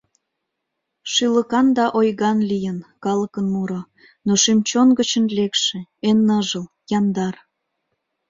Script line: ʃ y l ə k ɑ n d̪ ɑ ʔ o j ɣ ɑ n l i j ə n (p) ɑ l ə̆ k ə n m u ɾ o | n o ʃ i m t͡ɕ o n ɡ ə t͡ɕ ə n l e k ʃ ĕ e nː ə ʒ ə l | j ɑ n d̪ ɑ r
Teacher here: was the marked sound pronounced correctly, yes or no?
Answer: no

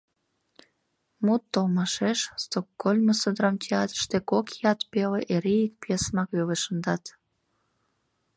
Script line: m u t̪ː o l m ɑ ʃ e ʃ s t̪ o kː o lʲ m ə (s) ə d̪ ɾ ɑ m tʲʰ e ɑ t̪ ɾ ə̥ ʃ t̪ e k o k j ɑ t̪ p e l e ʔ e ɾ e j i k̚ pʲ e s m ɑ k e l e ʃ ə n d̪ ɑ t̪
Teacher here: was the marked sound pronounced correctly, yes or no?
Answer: yes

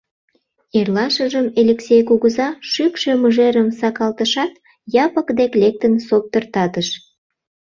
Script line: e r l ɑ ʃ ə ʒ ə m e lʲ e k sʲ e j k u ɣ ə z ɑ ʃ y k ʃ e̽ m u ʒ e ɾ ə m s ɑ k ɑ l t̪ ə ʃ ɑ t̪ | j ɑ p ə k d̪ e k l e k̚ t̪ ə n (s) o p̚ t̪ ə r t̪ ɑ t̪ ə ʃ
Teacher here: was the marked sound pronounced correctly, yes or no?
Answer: yes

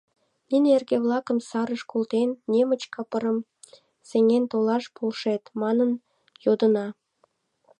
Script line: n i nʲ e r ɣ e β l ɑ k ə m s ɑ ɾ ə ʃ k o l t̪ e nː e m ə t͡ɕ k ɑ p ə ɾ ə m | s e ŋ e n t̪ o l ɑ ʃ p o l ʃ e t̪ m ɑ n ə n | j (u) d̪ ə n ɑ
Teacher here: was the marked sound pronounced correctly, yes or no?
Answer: no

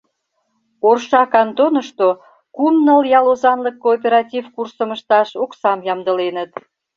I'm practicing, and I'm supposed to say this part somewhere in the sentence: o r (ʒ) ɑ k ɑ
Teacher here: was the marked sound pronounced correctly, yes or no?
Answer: no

